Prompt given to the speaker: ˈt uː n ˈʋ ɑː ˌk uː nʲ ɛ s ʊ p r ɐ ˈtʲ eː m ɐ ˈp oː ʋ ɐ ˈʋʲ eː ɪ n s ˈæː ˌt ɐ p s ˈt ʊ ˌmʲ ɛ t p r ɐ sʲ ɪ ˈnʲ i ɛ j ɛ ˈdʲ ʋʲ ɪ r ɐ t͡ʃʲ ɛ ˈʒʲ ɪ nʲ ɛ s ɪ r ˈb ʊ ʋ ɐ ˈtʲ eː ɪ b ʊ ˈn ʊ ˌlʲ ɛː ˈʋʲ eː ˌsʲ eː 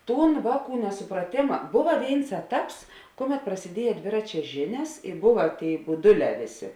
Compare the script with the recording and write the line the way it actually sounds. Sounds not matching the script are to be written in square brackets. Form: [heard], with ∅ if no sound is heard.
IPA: ˈt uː n ˈʋ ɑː ˌk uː nʲ ɛ s ʊ p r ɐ ˈtʲ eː m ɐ [ˈb] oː ʋ ɐ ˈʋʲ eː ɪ n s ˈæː ˌt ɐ p s [ˈk] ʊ ˌmʲ ɛ t p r ɐ sʲ ɪ [ˈdʲ] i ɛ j ɛ ˈdʲ ʋʲ ɪ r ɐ t͡ʃʲ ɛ ˈʒʲ ɪ nʲ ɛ s ɪ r ˈb ʊ ʋ ɐ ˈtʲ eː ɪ b ʊ [ˈd] ʊ ˌlʲ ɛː ˈʋʲ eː ˌsʲ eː